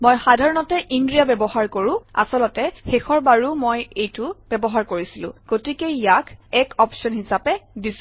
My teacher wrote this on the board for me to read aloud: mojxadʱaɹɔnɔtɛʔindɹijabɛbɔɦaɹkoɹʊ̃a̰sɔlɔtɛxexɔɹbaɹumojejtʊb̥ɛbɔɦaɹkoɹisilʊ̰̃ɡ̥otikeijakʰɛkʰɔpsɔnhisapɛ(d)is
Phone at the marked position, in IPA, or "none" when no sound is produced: d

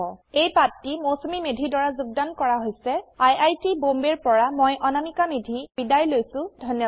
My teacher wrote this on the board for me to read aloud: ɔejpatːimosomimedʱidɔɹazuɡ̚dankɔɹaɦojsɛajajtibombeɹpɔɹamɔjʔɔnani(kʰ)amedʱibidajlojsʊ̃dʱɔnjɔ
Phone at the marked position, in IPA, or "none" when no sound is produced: k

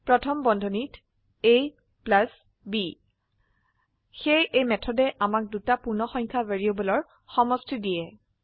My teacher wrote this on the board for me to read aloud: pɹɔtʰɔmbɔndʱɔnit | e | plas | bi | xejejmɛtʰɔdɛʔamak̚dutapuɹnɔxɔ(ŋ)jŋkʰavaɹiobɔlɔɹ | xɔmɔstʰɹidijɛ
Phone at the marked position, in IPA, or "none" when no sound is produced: none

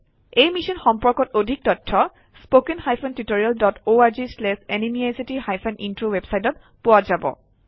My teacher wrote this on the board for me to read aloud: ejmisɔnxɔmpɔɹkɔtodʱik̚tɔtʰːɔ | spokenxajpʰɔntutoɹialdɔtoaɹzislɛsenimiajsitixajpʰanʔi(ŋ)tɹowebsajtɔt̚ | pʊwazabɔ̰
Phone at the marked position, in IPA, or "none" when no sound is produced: n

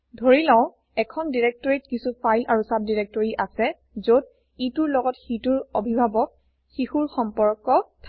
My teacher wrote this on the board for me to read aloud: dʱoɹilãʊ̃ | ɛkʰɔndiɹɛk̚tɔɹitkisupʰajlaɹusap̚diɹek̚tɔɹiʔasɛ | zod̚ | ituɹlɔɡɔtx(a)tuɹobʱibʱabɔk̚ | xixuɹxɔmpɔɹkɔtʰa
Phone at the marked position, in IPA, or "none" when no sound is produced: i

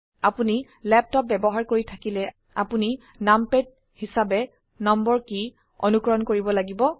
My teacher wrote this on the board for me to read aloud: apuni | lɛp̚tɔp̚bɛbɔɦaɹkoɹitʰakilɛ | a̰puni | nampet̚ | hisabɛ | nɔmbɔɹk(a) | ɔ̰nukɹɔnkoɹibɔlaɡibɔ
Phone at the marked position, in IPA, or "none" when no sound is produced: i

